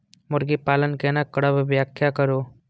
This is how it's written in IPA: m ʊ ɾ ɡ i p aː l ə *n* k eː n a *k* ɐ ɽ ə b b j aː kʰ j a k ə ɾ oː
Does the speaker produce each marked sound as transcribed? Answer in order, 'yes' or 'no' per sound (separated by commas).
yes, yes